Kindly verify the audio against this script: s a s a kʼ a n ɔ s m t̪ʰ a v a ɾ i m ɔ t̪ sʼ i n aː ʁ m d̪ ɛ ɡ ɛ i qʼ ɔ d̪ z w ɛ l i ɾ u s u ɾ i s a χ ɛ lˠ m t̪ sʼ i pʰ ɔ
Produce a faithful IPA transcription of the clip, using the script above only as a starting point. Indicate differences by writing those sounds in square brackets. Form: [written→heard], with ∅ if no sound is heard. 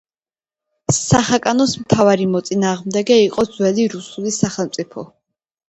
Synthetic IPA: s a [s→χ] a kʼ a n ɔ s m t̪ʰ a v a ɾ i m ɔ t̪ sʼ i n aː ʁ m d̪ ɛ ɡ ɛ i qʼ ɔ d̪ z w ɛ l i ɾ u s u [ɾ→l] i s a χ ɛ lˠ m t̪ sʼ i pʰ ɔ